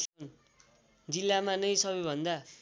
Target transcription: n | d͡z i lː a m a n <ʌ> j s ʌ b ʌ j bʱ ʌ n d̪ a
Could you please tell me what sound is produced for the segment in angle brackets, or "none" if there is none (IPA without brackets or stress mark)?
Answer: ʌ